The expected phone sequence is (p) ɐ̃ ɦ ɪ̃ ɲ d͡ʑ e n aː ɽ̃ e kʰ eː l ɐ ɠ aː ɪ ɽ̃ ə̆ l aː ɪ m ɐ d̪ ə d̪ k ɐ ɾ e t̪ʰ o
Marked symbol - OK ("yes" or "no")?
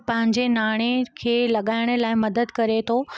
yes